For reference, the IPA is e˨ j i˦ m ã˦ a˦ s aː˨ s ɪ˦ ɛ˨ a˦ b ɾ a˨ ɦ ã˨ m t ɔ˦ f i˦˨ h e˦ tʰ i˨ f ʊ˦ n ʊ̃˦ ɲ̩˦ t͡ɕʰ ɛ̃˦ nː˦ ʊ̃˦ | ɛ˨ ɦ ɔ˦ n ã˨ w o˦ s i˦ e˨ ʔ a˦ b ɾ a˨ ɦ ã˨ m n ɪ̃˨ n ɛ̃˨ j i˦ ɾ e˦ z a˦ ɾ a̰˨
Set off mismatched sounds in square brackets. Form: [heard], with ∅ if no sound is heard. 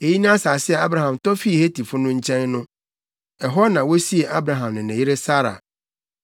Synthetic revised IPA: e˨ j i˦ [n] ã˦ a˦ s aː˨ s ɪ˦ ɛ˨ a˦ b ɾ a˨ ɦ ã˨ m t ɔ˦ f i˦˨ h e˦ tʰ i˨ f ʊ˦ n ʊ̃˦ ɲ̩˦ t͡ɕʰ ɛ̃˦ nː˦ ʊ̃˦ | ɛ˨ ɦ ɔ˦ n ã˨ w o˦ s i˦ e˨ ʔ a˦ b ɾ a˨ ɦ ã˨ m n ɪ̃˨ n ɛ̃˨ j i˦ ɾ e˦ [s] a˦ ɾ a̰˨

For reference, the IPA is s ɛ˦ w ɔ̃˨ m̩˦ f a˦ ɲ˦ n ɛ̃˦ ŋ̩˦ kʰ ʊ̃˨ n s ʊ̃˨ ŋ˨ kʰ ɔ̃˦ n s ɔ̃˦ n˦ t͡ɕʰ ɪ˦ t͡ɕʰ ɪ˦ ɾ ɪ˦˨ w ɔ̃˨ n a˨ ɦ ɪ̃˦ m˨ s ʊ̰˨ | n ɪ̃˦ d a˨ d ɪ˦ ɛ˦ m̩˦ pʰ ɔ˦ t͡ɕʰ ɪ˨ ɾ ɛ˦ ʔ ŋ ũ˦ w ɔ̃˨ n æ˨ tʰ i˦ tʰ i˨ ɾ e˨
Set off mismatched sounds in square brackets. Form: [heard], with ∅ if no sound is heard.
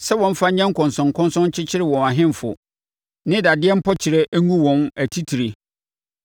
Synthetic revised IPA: s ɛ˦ w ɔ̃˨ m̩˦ f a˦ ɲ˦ [ɲ] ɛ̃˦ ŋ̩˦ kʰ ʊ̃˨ n s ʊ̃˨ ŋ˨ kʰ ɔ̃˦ n s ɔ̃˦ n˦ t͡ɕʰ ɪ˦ t͡ɕʰ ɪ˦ ɾ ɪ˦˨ w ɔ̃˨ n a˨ ɦ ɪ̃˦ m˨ [f] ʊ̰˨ | n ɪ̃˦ d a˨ d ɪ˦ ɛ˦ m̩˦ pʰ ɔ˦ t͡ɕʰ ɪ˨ ɾ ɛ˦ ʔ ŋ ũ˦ w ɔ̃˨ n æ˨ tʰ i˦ tʰ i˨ ɾ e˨

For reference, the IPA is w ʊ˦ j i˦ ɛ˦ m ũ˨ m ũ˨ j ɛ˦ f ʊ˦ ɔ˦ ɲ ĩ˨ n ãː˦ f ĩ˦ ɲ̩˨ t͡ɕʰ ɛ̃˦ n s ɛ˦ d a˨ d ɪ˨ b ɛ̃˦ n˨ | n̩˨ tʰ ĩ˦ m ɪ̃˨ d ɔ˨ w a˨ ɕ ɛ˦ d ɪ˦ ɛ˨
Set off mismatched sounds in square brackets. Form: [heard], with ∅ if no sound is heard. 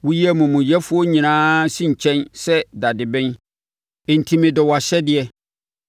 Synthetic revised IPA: w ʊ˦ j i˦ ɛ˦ m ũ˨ m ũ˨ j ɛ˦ f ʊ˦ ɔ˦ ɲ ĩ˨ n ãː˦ [s] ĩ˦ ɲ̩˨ t͡ɕʰ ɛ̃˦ n s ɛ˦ d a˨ d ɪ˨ b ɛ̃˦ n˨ | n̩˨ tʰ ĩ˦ m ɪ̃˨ d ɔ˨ w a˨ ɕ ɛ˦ d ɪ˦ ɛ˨

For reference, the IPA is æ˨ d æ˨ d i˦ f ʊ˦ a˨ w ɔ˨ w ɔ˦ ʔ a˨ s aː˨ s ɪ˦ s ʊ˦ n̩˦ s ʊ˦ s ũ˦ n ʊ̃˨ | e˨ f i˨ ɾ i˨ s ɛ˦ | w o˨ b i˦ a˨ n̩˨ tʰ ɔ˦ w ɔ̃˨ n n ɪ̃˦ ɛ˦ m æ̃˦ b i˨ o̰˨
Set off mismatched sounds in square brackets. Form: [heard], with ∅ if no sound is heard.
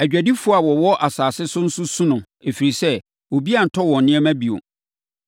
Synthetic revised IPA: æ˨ [d͡ʑᶣ] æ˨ d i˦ f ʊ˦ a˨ w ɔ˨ w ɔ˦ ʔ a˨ s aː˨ s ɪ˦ s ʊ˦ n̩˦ s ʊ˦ s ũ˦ n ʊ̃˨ | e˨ f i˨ ɾ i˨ s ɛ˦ | w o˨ b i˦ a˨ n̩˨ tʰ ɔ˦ w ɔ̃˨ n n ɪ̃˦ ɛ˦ m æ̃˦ b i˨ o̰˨

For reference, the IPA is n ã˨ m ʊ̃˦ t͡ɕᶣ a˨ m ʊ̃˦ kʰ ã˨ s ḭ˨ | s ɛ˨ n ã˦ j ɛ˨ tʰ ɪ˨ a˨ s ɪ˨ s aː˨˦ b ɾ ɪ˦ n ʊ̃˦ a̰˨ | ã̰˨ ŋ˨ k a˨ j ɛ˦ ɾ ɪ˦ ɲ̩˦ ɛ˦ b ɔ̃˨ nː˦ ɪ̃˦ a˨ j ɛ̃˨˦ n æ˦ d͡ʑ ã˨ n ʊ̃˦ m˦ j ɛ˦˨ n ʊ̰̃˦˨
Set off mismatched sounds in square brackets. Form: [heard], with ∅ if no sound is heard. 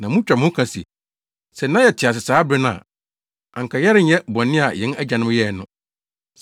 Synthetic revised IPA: n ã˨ m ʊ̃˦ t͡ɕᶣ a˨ m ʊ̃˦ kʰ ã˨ s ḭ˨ | s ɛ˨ n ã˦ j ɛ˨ tʰ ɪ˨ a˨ s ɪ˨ s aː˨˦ b ɾ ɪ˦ n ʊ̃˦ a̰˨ | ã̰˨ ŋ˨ k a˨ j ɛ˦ ɾ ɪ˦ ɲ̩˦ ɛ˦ b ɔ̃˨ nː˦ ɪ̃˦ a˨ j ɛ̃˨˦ n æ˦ d͡ʑ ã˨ n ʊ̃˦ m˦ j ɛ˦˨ n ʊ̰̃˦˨

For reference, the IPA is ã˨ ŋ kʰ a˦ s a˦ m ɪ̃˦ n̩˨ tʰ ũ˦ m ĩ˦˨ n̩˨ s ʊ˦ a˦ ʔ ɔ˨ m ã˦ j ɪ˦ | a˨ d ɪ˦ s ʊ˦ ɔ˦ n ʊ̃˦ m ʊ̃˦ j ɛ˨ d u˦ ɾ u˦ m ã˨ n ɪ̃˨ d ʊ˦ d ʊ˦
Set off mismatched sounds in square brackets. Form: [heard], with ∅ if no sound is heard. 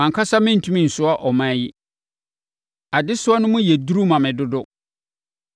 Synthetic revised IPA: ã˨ ŋ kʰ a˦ s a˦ m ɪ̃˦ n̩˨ tʰ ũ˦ m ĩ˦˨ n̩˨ s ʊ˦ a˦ ʔ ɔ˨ m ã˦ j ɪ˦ | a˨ d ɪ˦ s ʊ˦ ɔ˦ n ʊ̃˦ m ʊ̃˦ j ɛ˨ d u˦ ɾ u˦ m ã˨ [m] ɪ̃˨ d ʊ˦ d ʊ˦

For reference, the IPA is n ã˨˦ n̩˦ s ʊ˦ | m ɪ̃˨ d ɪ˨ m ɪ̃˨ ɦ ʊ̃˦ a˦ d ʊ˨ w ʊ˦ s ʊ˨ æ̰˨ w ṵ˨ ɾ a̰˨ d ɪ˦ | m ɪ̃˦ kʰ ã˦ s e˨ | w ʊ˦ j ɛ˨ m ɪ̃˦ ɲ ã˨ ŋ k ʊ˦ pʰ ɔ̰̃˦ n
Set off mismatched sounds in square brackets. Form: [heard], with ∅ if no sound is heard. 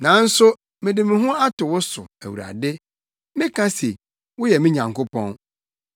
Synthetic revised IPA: n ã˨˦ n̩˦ s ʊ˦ | m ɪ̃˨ d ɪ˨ m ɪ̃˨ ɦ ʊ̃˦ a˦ [t] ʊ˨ w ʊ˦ s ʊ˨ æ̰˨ w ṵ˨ ɾ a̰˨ d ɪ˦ | m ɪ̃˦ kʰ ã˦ s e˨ | w ʊ˦ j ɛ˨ m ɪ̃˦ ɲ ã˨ ŋ k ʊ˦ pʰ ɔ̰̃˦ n

